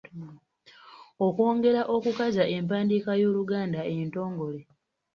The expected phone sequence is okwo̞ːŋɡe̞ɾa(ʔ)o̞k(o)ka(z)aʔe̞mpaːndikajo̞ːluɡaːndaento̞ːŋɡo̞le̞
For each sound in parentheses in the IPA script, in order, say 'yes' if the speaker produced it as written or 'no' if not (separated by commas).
yes, no, yes